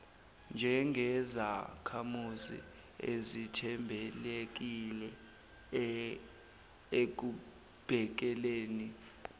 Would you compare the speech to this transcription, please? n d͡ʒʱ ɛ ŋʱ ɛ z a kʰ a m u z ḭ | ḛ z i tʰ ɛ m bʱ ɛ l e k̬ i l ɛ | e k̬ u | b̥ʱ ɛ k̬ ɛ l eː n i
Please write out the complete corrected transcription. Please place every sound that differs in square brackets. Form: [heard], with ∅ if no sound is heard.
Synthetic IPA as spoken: n d͡ʒʱ ɛ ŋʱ ɛ z a kʰ a m u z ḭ | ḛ z i tʰ ɛ m bʱ ɛ l e k̬ i l ɛ | e k̬ u | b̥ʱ ɛ k̬ ɛ l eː n i